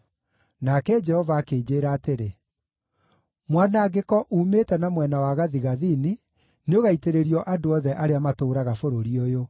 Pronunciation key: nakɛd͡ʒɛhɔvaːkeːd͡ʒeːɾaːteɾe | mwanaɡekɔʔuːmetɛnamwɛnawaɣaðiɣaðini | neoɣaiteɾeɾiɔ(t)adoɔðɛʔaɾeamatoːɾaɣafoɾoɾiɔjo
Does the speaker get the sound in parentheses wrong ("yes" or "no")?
yes